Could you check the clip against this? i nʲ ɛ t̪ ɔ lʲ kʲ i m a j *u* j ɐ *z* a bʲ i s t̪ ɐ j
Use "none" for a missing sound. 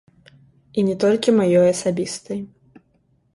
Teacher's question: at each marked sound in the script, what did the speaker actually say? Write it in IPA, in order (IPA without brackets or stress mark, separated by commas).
ɔ, s